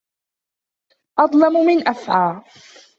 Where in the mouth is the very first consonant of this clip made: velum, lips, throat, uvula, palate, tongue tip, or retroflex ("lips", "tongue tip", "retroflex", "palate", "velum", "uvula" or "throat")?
throat